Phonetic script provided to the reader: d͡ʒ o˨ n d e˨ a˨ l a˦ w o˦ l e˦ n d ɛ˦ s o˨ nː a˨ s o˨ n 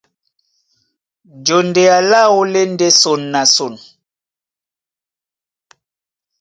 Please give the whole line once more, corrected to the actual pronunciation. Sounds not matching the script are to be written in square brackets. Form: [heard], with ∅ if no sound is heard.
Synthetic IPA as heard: d͡ʒ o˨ n d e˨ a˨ l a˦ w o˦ l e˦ n d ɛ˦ s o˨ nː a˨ s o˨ n